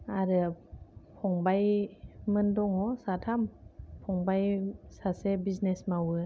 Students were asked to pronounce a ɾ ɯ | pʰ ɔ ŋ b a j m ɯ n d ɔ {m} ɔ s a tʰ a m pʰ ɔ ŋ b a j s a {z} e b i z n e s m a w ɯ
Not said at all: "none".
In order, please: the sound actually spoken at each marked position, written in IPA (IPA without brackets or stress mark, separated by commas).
ŋ, s